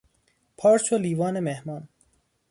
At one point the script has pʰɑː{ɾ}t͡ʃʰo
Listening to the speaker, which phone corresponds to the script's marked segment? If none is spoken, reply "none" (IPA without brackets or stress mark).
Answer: ɾ